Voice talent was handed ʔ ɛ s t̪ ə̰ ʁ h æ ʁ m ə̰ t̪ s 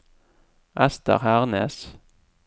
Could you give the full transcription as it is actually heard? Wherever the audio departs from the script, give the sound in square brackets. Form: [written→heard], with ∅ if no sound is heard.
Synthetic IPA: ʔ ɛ s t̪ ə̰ ʁ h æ ʁ [m→n] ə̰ [t̪→∅] s